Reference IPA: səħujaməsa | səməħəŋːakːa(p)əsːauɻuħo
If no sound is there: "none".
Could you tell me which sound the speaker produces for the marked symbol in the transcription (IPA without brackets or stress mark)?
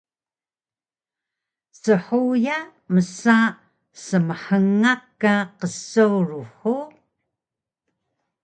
q